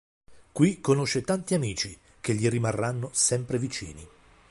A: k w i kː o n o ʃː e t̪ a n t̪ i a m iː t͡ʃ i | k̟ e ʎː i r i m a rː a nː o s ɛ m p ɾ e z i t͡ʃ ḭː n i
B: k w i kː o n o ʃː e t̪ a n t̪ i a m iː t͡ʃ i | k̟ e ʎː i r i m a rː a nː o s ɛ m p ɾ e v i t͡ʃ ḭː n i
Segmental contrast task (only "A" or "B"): B